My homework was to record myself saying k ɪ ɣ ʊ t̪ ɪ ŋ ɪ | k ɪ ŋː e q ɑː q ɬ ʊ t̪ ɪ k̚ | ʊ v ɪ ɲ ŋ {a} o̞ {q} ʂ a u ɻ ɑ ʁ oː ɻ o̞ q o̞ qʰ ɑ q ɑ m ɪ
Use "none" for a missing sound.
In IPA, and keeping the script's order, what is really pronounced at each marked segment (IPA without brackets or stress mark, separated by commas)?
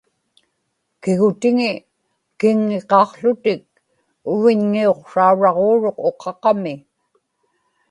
i, q